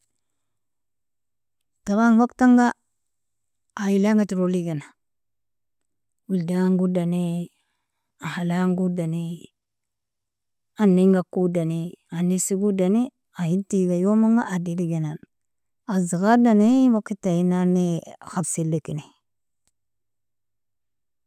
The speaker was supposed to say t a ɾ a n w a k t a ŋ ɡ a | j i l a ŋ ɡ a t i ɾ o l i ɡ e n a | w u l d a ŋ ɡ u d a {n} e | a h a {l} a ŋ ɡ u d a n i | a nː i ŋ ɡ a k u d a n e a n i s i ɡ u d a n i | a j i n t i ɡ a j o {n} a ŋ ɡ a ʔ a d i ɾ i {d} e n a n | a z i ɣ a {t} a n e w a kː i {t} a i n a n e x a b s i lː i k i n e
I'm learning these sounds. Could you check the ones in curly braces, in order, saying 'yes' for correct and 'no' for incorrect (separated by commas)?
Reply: yes, yes, no, no, no, yes